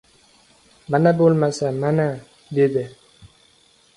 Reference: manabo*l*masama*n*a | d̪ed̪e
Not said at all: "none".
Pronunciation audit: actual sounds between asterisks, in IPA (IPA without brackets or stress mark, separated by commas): l, n